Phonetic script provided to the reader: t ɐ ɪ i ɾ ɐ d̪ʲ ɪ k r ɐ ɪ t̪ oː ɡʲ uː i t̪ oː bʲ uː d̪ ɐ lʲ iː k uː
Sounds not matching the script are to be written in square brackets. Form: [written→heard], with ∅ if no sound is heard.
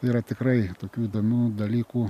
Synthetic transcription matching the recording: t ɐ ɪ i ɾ ɐ [d̪ʲ→t̪ʲ] ɪ k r ɐ ɪ t̪ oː [ɡʲ→kʲ] uː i [t̪→d̪] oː [bʲ→mʲ] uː d̪ ɐ lʲ iː k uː